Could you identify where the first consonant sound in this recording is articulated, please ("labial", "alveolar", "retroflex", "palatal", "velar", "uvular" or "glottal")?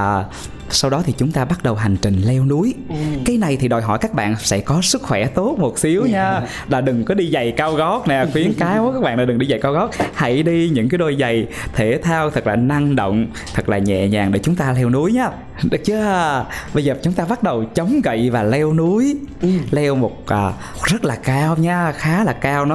alveolar